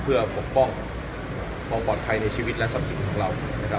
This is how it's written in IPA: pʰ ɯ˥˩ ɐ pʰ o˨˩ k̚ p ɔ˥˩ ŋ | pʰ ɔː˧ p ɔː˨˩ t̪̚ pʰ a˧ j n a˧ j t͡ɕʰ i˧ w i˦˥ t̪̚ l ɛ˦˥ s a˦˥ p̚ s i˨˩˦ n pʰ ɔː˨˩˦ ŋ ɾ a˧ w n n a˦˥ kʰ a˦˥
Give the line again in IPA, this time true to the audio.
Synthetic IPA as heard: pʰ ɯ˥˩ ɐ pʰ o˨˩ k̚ p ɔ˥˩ ŋ | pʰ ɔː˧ p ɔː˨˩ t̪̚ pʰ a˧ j n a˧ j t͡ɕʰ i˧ w i˦˥ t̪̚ l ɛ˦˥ s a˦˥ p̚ s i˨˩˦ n kʰ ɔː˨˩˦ ŋ ɾ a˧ w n n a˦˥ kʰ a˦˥